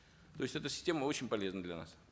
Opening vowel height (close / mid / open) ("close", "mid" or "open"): mid